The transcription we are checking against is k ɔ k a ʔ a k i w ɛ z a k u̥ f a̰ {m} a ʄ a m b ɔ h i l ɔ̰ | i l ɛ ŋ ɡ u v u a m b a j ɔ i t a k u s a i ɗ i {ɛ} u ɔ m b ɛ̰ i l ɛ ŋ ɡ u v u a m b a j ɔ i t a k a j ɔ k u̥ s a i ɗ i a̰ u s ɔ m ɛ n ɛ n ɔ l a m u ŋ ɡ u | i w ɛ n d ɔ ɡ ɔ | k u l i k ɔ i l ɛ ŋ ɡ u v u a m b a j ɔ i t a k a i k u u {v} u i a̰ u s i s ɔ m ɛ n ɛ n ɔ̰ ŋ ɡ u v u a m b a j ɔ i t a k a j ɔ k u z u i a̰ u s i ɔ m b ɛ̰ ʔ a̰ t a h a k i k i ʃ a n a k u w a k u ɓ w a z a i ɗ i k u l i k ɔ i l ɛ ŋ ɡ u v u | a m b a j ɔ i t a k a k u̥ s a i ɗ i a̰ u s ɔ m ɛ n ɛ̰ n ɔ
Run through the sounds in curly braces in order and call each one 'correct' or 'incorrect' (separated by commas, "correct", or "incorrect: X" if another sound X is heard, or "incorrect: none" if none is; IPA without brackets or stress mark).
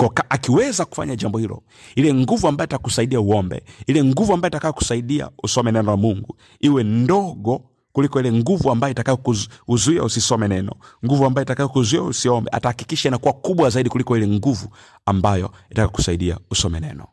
incorrect: ɲ, incorrect: a, incorrect: z